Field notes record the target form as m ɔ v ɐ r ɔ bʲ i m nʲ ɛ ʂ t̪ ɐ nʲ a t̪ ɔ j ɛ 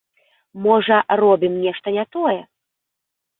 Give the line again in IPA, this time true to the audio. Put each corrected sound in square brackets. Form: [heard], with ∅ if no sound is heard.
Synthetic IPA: m ɔ [ʐ] ɐ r ɔ bʲ i m nʲ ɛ ʂ t̪ ɐ nʲ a t̪ ɔ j ɛ